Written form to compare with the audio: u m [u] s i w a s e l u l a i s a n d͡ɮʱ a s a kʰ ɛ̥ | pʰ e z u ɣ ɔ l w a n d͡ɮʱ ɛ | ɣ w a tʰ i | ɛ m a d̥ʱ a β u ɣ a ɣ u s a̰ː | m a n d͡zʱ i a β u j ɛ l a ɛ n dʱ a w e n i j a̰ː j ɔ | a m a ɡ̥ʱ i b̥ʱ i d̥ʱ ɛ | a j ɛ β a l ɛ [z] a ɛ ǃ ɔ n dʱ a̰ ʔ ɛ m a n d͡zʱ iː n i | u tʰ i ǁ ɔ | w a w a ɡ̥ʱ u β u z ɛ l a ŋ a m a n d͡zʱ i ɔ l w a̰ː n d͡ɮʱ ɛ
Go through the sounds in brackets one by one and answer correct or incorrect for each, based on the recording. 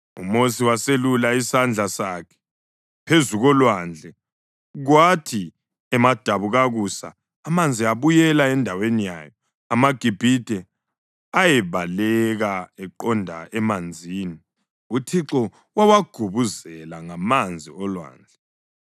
incorrect: o, incorrect: ɣ

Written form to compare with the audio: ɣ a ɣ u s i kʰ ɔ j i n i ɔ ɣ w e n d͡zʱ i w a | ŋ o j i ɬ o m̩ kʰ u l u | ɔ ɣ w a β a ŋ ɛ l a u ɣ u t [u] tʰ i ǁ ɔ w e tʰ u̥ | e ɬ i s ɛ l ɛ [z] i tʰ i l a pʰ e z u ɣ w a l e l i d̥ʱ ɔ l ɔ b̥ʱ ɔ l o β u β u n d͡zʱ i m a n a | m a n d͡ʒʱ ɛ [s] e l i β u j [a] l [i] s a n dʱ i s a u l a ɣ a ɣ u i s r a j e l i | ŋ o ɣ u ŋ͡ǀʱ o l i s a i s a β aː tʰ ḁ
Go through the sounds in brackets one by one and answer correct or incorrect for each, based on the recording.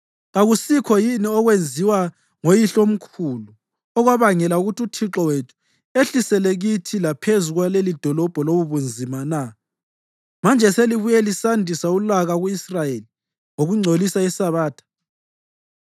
correct, incorrect: ɣ, correct, incorrect: ɛ, correct

